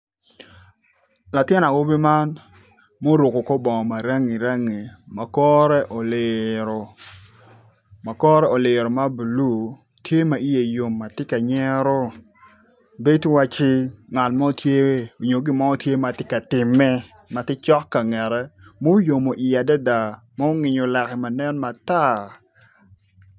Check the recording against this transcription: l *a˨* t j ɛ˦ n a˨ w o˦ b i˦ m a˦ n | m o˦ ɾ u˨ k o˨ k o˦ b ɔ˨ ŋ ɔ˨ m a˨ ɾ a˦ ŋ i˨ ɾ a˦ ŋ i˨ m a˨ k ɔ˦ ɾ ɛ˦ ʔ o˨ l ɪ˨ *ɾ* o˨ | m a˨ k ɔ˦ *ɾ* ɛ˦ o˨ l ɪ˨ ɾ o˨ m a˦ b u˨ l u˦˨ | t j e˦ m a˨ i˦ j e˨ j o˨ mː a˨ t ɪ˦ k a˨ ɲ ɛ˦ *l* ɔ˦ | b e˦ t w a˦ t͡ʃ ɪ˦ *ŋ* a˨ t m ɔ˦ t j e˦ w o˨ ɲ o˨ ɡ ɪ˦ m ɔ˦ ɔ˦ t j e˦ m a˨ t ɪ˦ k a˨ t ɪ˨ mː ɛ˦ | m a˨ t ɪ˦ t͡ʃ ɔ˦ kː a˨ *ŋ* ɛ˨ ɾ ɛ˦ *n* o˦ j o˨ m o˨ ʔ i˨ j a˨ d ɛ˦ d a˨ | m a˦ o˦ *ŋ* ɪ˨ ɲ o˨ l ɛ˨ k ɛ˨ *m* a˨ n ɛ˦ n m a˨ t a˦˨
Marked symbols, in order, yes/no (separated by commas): yes, yes, yes, no, yes, yes, no, yes, yes